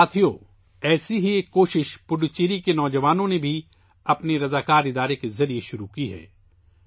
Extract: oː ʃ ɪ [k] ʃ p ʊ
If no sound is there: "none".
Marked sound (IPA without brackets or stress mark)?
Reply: none